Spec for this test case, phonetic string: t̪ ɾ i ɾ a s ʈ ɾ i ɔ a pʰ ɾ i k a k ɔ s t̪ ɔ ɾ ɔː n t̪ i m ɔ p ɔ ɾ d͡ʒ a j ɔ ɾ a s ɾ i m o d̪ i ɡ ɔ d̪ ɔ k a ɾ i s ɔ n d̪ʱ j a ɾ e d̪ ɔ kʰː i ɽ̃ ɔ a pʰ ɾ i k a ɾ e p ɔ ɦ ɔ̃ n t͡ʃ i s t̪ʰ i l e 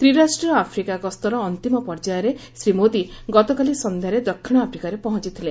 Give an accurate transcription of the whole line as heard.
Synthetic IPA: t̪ ɾ i ɾ a s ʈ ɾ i ɔ a pʰ ɾ i k a k ɔ s t̪ ɔ ɾ ɔː n t̪ i m ɔ p ɔ ɾ d͡ʒ a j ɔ ɾ e s ɾ i m o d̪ i ɡ ɔ t̪ ɔ k a l i s ɔ n d̪ʱ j a ɾ e d̪ ɔ kʰː i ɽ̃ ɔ a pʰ ɾ i k a ɾ e p ɔ ɦ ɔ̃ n t͡ʃ i t̪ʰ i l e